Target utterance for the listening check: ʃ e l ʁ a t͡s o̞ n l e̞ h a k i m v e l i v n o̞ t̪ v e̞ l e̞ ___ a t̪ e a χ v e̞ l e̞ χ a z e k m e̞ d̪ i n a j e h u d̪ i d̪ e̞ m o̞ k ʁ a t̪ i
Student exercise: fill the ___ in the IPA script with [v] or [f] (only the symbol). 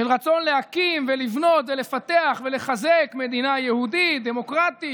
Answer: f